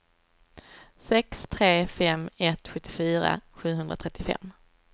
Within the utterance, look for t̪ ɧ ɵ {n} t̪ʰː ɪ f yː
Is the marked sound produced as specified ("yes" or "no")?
no